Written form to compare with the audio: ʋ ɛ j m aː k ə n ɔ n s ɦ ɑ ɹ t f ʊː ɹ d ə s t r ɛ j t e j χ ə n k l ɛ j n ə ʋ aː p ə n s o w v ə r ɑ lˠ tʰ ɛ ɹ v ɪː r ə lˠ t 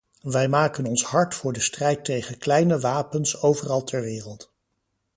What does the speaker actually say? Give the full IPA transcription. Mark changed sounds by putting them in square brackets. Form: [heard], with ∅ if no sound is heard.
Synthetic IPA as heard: ʋ ɛ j m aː k ə n ɔ n s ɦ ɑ ɹ t f ʊː ɹ d ə s t r ɛ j t e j χ ə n k l ɛ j n ə ʋ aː p ə n s o w v ə r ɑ lˠ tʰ ɛ ɹ [ʋ] ɪː r ə lˠ t